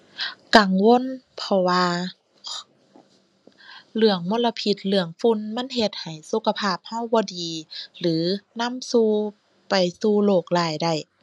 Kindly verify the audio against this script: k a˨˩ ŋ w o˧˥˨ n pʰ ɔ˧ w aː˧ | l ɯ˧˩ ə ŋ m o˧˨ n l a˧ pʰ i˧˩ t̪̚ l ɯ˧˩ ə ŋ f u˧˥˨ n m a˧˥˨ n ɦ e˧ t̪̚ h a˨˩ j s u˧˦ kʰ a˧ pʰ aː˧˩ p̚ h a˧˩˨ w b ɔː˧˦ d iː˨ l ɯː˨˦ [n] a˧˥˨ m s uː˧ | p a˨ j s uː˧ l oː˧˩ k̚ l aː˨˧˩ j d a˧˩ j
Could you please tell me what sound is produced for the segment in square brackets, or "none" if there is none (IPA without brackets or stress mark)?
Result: n